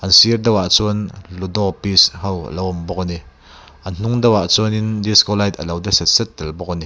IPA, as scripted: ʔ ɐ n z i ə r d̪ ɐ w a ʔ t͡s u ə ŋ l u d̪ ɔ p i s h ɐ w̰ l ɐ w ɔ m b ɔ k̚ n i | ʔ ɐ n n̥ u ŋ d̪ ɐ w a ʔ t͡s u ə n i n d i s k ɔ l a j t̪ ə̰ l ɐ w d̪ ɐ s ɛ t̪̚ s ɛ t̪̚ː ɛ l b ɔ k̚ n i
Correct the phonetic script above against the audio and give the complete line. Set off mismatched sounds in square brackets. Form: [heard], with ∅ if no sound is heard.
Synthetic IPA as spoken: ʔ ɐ n [s] i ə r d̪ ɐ w a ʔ t͡s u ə [n] l u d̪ ɔ p i s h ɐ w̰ l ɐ w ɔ m b ɔ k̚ n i | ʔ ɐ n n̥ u ŋ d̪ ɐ w a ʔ t͡s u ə n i n d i s k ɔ l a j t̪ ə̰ l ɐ w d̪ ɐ s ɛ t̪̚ s ɛ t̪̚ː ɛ l b ɔ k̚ n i